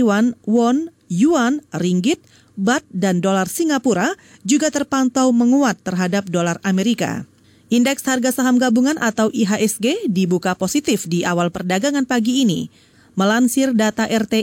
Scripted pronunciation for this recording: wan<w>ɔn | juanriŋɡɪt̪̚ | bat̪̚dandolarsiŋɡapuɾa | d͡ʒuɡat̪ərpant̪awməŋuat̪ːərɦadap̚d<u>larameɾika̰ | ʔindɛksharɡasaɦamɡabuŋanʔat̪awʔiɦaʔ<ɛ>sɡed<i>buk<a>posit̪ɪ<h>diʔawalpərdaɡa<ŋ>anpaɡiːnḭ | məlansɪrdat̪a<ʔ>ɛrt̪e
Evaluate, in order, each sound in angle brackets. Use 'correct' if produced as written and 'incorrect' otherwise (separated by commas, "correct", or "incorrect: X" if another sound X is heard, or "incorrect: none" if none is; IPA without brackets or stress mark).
correct, incorrect: o, correct, correct, correct, incorrect: f, correct, correct